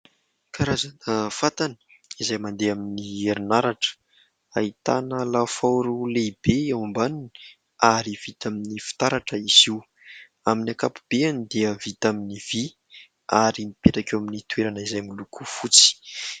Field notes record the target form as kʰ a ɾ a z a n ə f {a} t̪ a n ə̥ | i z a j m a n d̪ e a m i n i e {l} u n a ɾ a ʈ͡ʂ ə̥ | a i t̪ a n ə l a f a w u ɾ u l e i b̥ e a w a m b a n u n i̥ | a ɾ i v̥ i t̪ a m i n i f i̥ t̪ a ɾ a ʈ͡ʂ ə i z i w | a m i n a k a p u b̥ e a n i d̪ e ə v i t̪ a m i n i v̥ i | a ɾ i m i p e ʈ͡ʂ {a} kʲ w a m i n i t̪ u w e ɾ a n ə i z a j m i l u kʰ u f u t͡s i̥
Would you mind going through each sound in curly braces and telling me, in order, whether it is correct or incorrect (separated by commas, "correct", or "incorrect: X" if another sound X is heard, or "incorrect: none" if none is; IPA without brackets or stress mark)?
correct, incorrect: ɾ, correct